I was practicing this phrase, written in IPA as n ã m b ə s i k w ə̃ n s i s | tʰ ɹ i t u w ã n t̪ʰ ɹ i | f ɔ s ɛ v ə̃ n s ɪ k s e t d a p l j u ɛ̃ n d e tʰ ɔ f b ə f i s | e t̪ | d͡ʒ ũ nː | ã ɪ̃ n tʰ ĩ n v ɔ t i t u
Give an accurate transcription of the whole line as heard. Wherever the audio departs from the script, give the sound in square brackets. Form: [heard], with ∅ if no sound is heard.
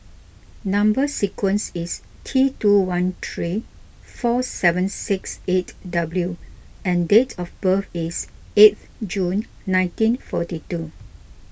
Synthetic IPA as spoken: n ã m b ə s i k w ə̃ n s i s | tʰ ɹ i t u w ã n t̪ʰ ɹ i | f ɔ s ɛ v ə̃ n s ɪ k s e t d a [b] l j u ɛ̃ n d e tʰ ɔ f b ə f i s | e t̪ | d͡ʒ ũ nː | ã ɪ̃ n [t] ĩ n [f] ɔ t i t u